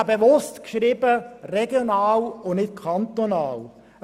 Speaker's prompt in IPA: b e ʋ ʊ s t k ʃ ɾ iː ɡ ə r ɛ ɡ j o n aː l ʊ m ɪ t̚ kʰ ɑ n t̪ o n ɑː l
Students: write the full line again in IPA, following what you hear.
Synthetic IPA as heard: b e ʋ ʊ s t k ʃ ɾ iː b ə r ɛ ɡ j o n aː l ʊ n ɪ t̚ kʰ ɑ n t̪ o n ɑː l